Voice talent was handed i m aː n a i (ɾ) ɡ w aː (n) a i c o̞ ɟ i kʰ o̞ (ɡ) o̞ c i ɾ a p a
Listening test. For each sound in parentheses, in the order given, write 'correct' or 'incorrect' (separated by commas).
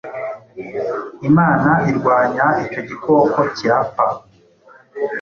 correct, incorrect, incorrect